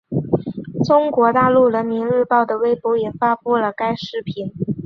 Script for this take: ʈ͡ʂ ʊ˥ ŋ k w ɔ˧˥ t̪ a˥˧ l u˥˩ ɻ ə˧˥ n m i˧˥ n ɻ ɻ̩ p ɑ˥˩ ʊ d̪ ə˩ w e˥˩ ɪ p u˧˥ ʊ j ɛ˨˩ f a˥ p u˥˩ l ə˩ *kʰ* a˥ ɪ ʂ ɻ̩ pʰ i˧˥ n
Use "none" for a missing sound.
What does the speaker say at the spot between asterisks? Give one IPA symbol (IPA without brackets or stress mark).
k